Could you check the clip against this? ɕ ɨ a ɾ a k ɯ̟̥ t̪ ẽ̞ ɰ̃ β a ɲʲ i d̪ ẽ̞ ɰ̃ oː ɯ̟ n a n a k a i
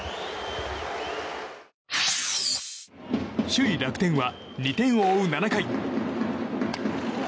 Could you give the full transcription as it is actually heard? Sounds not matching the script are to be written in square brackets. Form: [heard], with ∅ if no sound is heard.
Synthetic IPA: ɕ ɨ [i] ɾ a k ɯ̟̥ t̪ ẽ̞ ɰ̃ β a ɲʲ i [t̪] ẽ̞ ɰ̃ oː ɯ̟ n a n a k a i

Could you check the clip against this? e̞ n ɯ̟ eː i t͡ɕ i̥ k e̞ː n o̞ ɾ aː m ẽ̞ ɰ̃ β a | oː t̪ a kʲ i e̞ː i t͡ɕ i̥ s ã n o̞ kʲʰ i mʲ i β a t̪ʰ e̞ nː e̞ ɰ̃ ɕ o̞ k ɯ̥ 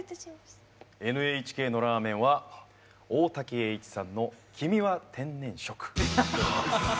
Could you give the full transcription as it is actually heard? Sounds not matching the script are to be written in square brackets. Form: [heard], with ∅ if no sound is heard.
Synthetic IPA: e̞ n ɯ̟ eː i t͡ɕ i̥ k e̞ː n o̞ ɾ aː m ẽ̞ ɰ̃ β a | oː t̪ a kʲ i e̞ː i t͡ɕ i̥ s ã [nː] o̞ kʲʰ i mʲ i β a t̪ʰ [ẽ̞] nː [ẽ̞] ɰ̃ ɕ o̞ k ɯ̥

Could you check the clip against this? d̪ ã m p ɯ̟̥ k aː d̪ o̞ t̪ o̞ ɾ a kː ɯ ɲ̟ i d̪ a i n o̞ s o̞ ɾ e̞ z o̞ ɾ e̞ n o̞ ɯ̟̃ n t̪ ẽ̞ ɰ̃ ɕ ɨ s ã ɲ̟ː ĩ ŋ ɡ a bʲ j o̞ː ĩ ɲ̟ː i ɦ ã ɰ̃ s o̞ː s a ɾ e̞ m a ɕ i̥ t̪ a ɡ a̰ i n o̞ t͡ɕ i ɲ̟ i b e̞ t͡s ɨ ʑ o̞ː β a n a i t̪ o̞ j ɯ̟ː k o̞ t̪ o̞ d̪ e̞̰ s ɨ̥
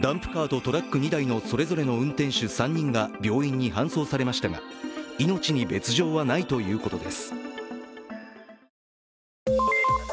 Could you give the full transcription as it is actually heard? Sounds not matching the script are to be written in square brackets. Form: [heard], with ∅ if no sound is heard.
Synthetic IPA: d̪ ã m p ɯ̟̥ k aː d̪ o̞ t̪ o̞ ɾ a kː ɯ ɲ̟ i d̪ a i n o̞ s o̞ ɾ e̞ z o̞ ɾ e̞ n o̞ ɯ̟̃ n t̪ ẽ̞ ɰ̃ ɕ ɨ s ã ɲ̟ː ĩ ŋ ɡ a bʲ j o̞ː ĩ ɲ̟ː i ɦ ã ɰ̃ s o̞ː s a ɾ e̞ m a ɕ i̥ t̪ a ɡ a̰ i n o̞ t͡ɕ i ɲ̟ i b e̞ t͡s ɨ ʑ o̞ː β a n a i t̪ o̞ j ɯ̟ː k o̞ t̪ o̞ d̪ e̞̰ s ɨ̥

